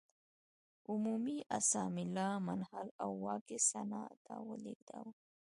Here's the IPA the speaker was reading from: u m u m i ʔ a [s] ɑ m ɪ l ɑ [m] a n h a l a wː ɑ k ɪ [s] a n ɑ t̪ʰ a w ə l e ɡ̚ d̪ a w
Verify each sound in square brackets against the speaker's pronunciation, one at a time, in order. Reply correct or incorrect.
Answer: correct, correct, correct

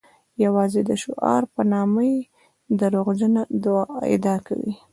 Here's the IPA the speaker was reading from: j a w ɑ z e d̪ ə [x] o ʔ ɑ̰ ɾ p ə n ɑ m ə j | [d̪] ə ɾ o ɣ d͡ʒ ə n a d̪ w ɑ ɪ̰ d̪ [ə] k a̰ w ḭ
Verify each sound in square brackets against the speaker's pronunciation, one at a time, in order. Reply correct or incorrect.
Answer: incorrect: ʃ, correct, incorrect: ɑ

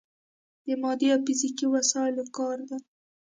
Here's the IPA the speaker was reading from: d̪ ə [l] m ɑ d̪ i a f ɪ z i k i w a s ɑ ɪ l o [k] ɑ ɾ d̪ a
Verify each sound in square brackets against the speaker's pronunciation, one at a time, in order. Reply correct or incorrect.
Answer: incorrect: none, correct

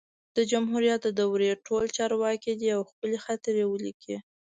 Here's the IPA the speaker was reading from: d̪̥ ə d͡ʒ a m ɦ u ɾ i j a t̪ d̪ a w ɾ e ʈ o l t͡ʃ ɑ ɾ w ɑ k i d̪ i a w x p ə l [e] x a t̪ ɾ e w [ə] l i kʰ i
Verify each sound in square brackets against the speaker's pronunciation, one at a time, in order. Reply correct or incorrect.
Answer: correct, correct

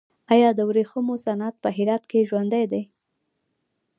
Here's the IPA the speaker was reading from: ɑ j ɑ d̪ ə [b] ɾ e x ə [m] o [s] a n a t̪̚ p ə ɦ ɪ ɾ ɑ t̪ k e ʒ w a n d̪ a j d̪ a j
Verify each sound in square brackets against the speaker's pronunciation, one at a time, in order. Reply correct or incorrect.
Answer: incorrect: w, correct, correct

